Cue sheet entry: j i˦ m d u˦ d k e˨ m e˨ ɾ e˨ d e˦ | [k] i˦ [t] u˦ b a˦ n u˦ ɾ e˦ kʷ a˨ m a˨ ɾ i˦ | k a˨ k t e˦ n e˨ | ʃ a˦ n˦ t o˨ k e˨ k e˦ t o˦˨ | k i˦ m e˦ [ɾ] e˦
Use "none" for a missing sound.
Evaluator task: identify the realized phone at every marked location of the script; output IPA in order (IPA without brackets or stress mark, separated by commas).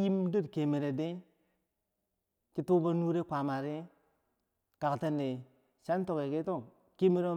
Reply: k, t, ɾ